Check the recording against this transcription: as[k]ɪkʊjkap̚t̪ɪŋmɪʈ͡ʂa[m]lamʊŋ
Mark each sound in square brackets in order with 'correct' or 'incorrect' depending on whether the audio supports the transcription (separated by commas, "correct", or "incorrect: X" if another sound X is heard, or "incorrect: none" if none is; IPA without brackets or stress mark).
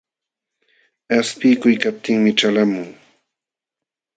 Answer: incorrect: p, incorrect: none